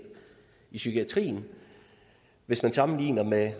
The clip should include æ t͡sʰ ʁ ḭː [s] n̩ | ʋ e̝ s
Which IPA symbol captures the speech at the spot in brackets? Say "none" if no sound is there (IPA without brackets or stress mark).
none